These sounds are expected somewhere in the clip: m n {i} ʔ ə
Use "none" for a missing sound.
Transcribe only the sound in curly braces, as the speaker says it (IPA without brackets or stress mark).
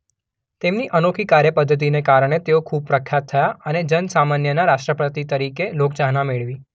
i